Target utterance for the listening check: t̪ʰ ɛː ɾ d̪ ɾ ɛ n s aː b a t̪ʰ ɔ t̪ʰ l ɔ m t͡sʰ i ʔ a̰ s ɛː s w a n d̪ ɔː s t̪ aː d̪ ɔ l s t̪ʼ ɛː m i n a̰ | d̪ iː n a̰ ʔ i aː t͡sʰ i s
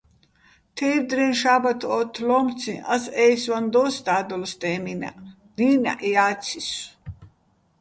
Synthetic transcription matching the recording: t̪ʰ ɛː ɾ d̪ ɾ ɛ n ʃ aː b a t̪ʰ ɔ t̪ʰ l ɔ m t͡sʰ i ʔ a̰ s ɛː s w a n d̪ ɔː s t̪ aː d̪ ɔ l s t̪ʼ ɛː m i n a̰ | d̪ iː n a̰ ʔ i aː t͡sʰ i s

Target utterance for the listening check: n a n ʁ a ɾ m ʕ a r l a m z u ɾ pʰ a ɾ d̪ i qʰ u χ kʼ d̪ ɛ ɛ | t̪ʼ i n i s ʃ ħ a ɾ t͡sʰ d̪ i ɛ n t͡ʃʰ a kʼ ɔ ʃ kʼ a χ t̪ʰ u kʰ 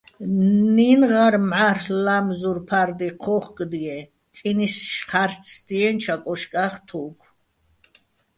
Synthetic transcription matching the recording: n i n ʁ a ɾ m ʕ a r l a m z u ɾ pʰ a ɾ d̪ i qʰ ɔ χ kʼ d̪ i ɛ | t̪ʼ i n i s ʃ χ a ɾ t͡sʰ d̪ i ɛ n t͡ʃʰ a kʼ ɔ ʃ kʼ a χ t̪ʰ u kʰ

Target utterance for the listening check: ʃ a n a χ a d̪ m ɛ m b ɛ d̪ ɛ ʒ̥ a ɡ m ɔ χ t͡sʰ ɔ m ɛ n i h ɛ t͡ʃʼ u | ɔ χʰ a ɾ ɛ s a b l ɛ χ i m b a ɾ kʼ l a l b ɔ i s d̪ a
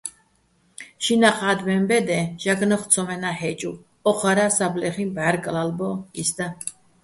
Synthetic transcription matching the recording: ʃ i n a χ a d̪ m ɛ m b ɛ d̪ ɛ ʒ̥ a ɡ n ɔ χ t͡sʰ ɔ m ɛ n a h ɛ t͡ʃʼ u | ɔ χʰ a ɾ a s a b l ɛ χ i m b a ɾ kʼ l a l b ɔ i s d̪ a

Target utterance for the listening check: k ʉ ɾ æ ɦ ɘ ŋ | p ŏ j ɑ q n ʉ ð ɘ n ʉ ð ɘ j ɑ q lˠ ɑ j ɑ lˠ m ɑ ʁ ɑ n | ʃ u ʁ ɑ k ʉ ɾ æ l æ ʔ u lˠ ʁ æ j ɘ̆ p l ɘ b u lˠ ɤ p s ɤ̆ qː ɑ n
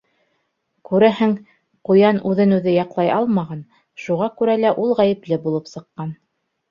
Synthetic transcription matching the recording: k ʉ ɾ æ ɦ ɘ ŋ | q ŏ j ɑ n ʉ ð ɘ n ʉ ð ɘ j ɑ q lˠ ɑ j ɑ lˠ m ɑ ʁ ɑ n | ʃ u ʁ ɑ k ʉ ɾ æ l æ ʔ u lˠ ʁ æ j ɘ̆ p l ɘ b u lˠ ɤ p s ɤ̆ qː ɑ n

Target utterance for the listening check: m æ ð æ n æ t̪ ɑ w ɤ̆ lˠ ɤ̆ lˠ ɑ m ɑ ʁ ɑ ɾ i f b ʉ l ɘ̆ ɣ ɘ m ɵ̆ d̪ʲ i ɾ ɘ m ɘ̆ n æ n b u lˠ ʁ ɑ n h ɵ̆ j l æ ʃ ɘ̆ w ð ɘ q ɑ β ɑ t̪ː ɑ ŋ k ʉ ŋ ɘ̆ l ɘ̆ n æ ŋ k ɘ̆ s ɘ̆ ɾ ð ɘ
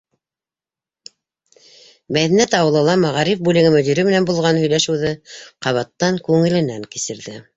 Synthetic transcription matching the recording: m æ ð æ n æ t̪ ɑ w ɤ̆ lˠ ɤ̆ lˠ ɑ m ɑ ʁ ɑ ɾ i f b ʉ l ɘ̆ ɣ ɘ m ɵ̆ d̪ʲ i ɾ ɘ m ɘ̆ n æ n b u lˠ ʁ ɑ n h ɵ̆ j l æ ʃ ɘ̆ w ð ɘ q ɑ β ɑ t̪ː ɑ ŋ k ʉ ŋ ɘ̆ l ɘ̆ n æ ŋ k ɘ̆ s ɘ̆ ɾ ð ɘ

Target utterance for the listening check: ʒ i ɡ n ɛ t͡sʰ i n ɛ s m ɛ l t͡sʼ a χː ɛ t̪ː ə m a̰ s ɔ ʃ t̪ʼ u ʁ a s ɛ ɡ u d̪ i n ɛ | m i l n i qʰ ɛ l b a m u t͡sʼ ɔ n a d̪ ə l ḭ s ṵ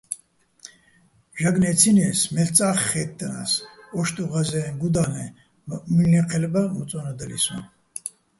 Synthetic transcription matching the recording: ʒ a ɡ n ɛ t͡sʰ i n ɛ s m ɛ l t͡sʼ a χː ɛ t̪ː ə n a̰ s ɔ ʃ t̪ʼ u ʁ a z ɛ ɡ u d̪ a n ɛ | m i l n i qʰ ɛ l b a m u t͡sʼ ɔ n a d̪ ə l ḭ s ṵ

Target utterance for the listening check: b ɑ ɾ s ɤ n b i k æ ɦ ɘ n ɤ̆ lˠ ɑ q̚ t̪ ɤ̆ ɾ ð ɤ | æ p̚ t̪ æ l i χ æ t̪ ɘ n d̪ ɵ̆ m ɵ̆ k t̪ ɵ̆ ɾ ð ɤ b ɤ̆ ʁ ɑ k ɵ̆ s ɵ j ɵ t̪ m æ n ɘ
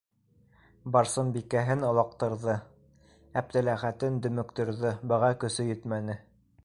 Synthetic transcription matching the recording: b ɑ ɾ s ɤ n b i k æ ɦ ɘ n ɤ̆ lˠ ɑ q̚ t̪ ɤ̆ ɾ ð ɤ | æ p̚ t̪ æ l æ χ æ t̪ ɘ n d̪ ɵ̆ m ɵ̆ k t̪ ɵ̆ ɾ ð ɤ b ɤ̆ ʁ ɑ k ɵ̆ s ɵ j ɵ t̪ m æ n ɘ

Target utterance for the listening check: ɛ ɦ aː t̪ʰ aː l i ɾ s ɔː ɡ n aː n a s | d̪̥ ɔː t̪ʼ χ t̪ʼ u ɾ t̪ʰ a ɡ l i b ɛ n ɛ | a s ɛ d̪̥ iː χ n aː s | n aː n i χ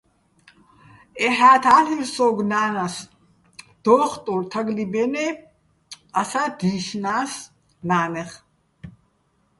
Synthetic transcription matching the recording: ɛ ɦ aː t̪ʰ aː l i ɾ s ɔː ɡ n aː n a s | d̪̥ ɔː χ t̪ʼ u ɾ t̪ʰ a ɡ l i b ɛ n ɛ | a s a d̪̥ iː ʃ n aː s | n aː n ɛ χ

